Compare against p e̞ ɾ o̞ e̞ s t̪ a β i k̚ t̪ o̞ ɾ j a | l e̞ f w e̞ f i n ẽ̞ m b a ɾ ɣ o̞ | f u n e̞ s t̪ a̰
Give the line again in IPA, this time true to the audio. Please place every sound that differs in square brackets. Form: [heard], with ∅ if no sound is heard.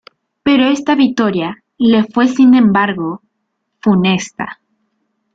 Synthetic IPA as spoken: p e̞ ɾ o̞ e̞ s t̪ a β i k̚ t̪ o̞ ɾ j a | l e̞ f w e̞ [s] i n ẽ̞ m b a ɾ ɣ o̞ | f u n e̞ s t̪ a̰